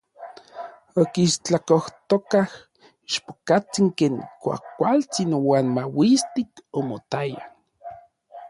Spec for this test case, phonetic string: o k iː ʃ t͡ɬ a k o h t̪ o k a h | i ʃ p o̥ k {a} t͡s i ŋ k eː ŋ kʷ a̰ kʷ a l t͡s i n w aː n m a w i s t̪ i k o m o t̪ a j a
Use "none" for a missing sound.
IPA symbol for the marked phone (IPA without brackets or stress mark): a